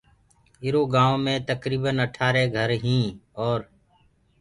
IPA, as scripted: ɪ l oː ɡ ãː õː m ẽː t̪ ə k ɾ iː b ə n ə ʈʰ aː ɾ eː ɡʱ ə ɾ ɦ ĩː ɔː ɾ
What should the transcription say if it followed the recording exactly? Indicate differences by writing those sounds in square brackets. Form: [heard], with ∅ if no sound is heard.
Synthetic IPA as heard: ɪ [ɾ] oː ɡ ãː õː m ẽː t̪ ə k ɾ iː b ə n ə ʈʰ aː ɾ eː ɡʱ ə ɾ ɦ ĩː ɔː ɾ